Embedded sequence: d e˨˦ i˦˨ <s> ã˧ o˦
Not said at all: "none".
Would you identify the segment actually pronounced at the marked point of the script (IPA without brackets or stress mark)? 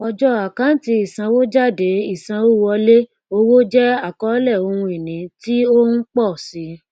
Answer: s